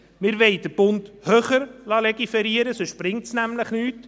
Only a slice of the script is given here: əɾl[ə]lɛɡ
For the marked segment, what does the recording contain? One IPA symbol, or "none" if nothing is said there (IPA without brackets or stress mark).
ɑ